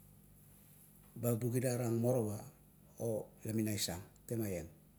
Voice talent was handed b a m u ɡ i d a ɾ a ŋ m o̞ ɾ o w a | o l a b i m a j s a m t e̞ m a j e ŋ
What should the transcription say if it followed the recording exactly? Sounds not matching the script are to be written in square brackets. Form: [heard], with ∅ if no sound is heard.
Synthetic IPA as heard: b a [b] u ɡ i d a ɾ a ŋ m o̞ ɾ o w a | o l a [m] i [n] a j s a [ŋ] t e̞ m a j e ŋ